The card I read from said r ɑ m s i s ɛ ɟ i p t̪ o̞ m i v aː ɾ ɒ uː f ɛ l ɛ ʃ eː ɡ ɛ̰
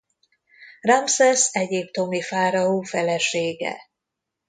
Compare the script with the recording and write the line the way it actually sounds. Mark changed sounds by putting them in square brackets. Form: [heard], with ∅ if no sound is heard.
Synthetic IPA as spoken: r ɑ m s [ɛ] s ɛ ɟ i p t̪ o̞ m i [f] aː ɾ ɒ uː f ɛ l ɛ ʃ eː ɡ ɛ̰